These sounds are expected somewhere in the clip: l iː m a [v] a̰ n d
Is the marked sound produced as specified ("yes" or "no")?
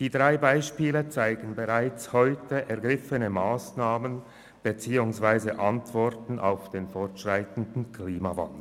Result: yes